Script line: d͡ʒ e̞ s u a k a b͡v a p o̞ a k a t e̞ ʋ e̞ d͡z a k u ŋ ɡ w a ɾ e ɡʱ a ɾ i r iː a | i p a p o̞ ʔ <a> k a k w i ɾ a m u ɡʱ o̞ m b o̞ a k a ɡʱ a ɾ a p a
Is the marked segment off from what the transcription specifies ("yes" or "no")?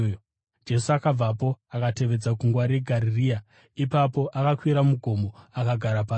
no